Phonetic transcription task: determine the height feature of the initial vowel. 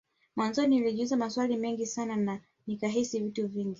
low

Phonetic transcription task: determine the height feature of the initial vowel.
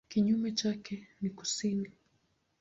high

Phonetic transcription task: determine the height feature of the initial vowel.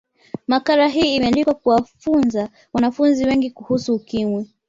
low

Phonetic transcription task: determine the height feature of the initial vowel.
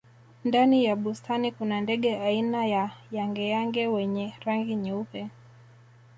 low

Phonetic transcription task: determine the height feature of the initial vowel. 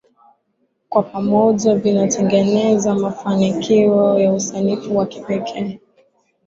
low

